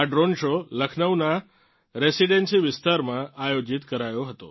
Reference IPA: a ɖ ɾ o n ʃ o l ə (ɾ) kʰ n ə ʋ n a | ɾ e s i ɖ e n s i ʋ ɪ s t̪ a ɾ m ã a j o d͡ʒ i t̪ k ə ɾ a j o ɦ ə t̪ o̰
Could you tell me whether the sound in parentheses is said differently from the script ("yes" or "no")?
yes